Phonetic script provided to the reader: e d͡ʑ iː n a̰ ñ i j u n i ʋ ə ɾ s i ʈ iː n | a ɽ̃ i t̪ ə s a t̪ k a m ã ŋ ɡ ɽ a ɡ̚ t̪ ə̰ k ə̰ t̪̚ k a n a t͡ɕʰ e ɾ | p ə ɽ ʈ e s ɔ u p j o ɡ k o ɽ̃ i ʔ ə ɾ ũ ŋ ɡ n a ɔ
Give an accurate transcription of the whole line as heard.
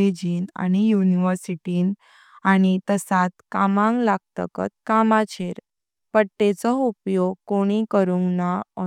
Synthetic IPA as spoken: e d͡ʑ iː n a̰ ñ i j u n i ʋ ə ɾ s i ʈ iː n | a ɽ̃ i t̪ ə s a t̪ k a m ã ŋ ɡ l a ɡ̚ t̪ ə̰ k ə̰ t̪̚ k a m a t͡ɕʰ e ɾ | p ə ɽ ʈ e t͡s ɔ u p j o ɡ k o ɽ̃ i k ə ɾ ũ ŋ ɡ n a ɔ

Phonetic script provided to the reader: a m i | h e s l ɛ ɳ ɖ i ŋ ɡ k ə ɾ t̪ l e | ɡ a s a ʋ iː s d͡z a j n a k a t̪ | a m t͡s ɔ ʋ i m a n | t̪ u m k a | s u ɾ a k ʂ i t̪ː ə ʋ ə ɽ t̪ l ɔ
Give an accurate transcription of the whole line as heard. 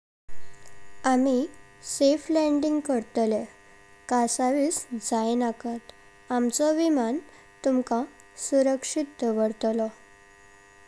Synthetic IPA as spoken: a m i | s e f l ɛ ɳ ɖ i ŋ ɡ k ə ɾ t̪ l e | k a s a ʋ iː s d͡z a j n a k a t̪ | a m t͡s ɔ ʋ i m a n | t̪ u m k a | s u ɾ ə k ʂ i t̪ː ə ʋ ə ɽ t̪ l ɔ

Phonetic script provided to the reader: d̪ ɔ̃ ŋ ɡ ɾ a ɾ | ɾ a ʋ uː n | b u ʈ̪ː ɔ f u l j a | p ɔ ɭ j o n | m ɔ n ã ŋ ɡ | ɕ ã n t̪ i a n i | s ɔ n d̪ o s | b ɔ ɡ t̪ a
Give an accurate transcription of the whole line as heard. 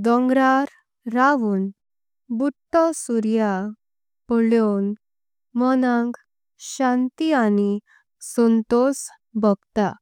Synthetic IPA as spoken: d̪ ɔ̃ ŋ ɡ ɾ a ɾ | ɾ a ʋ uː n | b u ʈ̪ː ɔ s u ɾ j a | p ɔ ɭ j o n | m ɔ n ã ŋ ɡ | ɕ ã n t̪ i a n i | s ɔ n t̪ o s | b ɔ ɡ t̪ a

